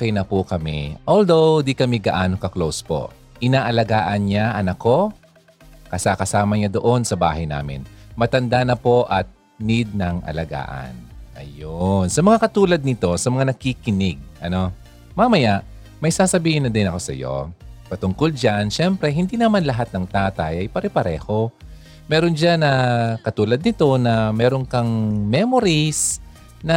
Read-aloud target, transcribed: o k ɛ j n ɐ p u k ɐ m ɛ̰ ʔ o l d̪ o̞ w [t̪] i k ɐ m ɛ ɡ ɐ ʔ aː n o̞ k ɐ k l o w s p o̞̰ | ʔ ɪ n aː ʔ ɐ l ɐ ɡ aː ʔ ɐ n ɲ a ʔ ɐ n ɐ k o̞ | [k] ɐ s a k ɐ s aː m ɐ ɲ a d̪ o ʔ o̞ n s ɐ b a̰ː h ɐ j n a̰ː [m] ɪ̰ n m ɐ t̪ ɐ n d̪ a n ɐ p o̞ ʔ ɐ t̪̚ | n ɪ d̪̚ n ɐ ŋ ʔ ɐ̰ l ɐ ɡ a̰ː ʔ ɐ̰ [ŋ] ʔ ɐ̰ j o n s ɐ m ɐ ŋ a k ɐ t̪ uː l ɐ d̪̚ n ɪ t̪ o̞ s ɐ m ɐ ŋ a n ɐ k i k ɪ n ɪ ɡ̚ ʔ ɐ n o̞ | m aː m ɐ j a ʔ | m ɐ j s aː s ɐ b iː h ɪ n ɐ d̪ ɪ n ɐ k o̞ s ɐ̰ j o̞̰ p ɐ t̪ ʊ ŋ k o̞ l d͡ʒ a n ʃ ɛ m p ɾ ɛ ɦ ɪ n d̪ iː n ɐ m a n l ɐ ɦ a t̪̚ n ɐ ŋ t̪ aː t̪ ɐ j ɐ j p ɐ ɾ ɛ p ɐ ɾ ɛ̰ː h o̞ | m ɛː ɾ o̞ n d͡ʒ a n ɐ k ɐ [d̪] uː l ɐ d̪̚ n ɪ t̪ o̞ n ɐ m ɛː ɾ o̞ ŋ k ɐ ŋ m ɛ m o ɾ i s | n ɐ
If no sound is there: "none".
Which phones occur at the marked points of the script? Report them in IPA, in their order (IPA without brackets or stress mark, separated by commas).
d̪, k, m, n, t̪